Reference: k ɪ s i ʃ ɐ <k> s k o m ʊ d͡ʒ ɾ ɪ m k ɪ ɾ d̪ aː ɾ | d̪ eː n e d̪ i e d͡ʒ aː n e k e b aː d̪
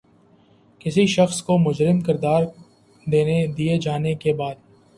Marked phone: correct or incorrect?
incorrect